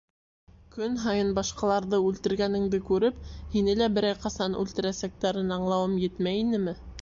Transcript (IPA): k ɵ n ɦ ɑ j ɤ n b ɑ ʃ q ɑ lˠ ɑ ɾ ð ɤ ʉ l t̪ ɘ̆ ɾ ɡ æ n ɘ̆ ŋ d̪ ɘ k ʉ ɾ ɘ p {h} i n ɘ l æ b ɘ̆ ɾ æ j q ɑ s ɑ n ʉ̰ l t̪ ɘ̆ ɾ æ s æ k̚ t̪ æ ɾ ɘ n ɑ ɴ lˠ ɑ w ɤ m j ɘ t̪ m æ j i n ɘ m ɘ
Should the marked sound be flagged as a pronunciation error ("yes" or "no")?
no